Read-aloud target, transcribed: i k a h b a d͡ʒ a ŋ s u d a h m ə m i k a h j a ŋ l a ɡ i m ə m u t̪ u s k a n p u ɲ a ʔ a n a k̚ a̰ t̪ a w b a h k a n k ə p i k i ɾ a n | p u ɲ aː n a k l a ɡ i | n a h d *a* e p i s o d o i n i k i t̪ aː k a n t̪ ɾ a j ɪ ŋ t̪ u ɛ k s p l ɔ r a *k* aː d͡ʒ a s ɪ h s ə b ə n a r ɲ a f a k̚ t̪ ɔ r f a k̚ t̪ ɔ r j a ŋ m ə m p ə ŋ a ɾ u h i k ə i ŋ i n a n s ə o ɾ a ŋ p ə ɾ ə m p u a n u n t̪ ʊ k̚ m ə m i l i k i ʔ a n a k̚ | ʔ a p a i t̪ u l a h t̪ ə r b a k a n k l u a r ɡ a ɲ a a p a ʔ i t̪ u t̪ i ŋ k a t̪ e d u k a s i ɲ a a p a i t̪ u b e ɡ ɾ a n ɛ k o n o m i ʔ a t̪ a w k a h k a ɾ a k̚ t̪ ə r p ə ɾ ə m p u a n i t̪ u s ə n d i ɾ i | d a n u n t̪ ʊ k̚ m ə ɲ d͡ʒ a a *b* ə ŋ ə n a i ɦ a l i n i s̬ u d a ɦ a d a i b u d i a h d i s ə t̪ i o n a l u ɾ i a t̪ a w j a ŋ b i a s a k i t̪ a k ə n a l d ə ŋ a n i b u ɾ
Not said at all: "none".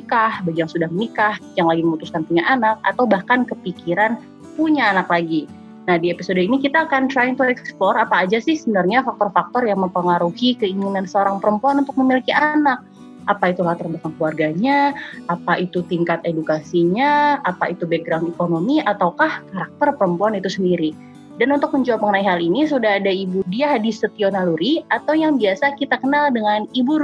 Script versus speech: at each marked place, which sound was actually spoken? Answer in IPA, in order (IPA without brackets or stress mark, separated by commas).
i, p, p